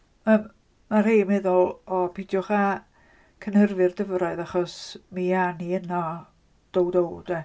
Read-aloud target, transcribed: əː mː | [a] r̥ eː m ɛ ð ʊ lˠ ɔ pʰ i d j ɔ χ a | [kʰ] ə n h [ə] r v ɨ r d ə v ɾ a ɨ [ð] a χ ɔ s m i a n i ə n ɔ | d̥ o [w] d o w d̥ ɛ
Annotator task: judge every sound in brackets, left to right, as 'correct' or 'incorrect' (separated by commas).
correct, correct, correct, correct, correct